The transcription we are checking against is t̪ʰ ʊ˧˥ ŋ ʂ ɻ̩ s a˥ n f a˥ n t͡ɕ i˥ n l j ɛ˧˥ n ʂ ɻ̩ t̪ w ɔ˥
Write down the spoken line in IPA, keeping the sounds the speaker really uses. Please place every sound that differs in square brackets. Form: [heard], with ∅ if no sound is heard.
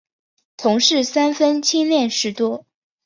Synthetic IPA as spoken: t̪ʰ ʊ˧˥ ŋ ʂ ɻ̩ s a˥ n f [ə˥] n [t͡ɕʰ] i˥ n l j [ɛ˥˩] n ʂ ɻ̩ t̪ w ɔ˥